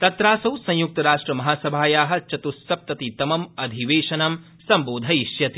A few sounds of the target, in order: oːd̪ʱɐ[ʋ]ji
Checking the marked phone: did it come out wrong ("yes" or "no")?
yes